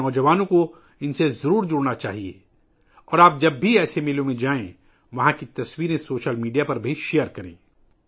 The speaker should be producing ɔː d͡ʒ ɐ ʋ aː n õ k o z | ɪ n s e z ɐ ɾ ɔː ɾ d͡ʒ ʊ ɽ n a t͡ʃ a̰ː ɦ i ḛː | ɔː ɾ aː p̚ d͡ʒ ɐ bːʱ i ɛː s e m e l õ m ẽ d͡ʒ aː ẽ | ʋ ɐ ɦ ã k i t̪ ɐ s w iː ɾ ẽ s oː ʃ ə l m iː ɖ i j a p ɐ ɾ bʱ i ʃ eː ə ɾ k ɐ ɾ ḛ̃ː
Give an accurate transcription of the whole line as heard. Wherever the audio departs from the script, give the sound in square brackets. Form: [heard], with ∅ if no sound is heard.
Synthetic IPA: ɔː d͡ʒ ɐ ʋ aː n õ k o [∅] | ɪ n s e z ɐ ɾ [uː] ɾ d͡ʒ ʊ ɽ n a t͡ʃ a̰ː ɦ i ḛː | ɔː ɾ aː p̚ d͡ʒ ɐ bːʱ i ɛː s e m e l õ m ẽ d͡ʒ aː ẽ | ʋ ɐ ɦ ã k i t̪ ɐ s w iː ɾ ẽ s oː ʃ ə l m iː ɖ i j a p ɐ ɾ bʱ i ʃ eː ə ɾ k ɐ ɾ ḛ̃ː

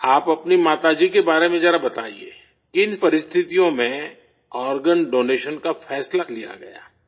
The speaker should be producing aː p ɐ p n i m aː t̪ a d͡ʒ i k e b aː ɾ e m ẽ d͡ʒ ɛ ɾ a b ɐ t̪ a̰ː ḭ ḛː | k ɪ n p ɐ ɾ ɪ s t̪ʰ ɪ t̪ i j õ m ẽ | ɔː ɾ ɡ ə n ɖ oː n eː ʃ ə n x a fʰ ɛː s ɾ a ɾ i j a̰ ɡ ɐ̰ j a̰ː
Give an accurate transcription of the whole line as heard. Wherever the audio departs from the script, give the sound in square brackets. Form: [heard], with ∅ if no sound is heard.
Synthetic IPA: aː p ɐ p n i m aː t̪ a d͡ʒ i k e b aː ɾ e m ẽ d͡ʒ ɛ ɾ a b ɐ t̪ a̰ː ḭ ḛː | k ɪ n p ɐ ɾ ɪ s t̪ʰ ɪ t̪ i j õ m ẽ | ɔː ɾ ɡ ə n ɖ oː n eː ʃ ə n [k] a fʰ ɛː s [l] a [l] i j a̰ ɡ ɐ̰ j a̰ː

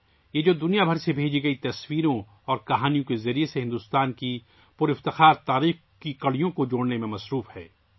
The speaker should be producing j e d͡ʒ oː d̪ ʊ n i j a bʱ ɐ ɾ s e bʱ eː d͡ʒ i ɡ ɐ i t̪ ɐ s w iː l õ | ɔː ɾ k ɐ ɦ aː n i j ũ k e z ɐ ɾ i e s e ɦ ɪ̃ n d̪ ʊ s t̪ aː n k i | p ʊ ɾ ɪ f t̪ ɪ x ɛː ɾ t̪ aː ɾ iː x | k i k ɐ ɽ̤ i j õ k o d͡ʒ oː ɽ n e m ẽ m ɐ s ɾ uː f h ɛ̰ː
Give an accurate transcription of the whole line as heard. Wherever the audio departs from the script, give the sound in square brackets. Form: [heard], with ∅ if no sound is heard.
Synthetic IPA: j e d͡ʒ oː d̪ ʊ n i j a bʱ ɐ ɾ s e bʱ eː d͡ʒ i ɡ ɐ i t̪ ɐ s w iː [ɾ] õ | ɔː ɾ k ɐ ɦ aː n i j [õ] k e z ɐ ɾ i e s e ɦ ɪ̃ n d̪ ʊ s t̪ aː n k i | p ʊ ɾ ɪ f t̪ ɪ x [aː] ɾ t̪ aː ɾ iː x | k i k ɐ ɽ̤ i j õ k o d͡ʒ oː ɽ n e m ẽ m ɐ s ɾ uː f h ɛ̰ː

